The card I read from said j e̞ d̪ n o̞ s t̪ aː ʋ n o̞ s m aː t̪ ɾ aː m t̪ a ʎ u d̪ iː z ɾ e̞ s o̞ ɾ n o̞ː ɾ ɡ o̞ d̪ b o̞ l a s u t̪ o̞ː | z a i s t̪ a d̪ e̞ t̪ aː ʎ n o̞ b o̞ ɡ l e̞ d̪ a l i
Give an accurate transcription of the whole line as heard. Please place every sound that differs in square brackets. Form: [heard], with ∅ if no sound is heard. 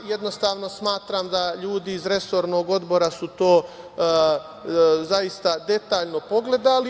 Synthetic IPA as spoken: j e̞ d̪ n o̞ s t̪ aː ʋ n o̞ s m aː t̪ ɾ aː m [d̪] a ʎ [uː] d̪ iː z ɾ e̞ s o̞ ɾ n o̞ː [∅] ɡ o̞ d̪ b o̞ [ɾ] a s u t̪ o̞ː | z a i s t̪ a d̪ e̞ t̪ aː ʎ n o̞ [p] o̞ ɡ l e̞ d̪ a l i